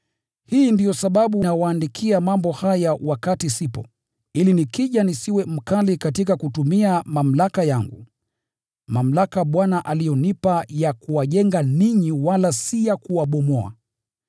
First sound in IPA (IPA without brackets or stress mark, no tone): h